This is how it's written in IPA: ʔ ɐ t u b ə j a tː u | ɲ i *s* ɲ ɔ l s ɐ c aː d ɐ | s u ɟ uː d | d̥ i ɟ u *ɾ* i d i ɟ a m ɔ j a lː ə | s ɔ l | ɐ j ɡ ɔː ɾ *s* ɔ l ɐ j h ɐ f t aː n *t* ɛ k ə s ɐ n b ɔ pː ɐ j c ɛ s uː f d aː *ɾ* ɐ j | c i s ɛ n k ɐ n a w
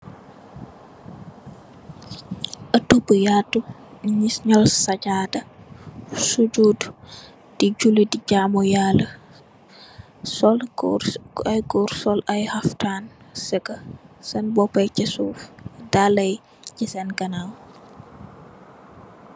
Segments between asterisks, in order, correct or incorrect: correct, incorrect: l, correct, incorrect: s, incorrect: l

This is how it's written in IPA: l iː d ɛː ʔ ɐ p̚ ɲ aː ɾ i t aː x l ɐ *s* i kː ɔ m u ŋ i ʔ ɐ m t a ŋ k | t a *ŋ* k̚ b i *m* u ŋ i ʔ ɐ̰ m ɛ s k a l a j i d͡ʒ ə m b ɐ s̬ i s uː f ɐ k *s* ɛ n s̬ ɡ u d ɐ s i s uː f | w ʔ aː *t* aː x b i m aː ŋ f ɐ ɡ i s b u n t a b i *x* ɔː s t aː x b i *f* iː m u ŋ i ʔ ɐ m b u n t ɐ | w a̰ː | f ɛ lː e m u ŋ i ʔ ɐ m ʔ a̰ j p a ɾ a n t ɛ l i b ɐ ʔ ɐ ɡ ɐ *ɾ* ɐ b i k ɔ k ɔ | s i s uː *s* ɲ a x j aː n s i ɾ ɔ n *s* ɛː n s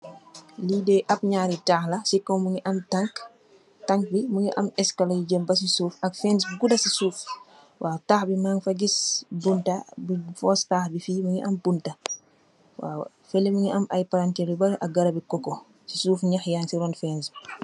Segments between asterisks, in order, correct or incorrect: correct, correct, correct, incorrect: f, correct, incorrect: f, correct, correct, incorrect: f, incorrect: f

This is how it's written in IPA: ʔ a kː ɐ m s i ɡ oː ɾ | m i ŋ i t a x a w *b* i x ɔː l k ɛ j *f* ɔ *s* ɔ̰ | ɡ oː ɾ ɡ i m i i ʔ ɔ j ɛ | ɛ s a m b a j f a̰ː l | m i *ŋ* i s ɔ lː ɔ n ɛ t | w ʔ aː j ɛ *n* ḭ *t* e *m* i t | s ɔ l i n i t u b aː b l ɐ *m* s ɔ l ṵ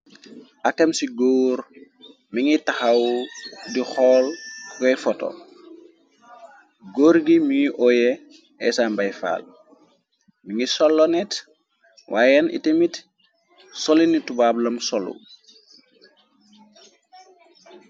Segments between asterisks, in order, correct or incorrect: incorrect: d, correct, incorrect: t, correct, correct, correct, correct, correct

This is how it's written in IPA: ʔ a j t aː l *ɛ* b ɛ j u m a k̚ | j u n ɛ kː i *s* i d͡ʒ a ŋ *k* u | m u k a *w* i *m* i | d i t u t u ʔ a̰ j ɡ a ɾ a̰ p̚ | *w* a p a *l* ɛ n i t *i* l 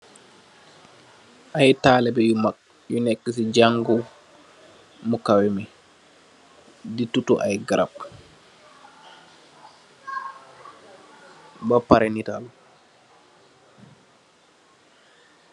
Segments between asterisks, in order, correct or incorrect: correct, correct, incorrect: ɡ, correct, correct, incorrect: b, incorrect: ɾ, incorrect: a

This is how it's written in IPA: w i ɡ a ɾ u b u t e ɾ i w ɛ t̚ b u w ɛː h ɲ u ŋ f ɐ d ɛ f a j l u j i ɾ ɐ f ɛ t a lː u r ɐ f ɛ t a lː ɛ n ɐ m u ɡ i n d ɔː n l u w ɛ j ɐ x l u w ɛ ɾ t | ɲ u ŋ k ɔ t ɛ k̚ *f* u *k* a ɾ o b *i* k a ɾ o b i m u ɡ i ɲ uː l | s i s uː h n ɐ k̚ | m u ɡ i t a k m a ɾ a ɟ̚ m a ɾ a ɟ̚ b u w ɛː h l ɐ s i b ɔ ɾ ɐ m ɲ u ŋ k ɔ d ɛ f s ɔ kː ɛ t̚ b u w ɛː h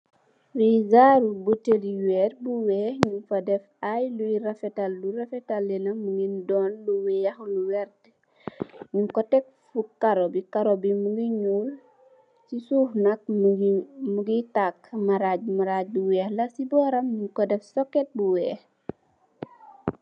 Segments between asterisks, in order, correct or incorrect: correct, correct, correct

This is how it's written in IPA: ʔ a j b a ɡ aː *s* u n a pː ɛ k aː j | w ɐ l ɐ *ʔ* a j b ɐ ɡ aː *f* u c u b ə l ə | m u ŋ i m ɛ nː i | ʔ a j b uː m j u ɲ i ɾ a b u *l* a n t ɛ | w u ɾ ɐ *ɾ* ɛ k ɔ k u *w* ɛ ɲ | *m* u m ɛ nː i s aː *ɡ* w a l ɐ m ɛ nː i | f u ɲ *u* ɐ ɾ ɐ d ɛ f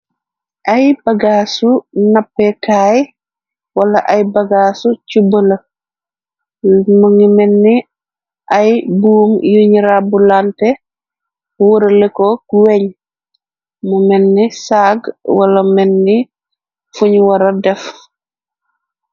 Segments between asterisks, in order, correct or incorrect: correct, correct, incorrect: s, correct, incorrect: l, correct, correct, correct, incorrect: w

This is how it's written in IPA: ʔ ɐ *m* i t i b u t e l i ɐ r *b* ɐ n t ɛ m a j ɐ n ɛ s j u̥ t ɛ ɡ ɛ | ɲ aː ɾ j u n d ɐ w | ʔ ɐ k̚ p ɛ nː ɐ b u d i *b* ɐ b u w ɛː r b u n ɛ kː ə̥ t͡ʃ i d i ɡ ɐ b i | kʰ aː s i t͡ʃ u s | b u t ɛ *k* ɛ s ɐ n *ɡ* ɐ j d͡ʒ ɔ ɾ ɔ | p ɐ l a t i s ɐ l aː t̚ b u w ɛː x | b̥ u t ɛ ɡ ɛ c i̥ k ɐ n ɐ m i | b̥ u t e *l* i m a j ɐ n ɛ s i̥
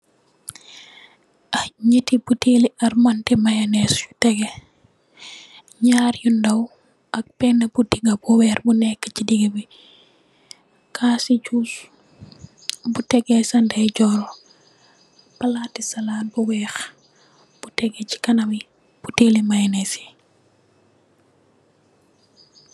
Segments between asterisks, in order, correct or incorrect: incorrect: ɲ, incorrect: m, incorrect: ɡ, incorrect: ɡ, incorrect: d, correct

